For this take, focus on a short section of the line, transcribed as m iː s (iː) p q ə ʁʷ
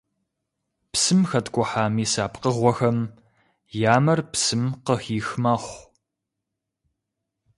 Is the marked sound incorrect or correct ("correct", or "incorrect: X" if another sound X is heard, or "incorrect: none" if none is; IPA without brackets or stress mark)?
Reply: incorrect: aː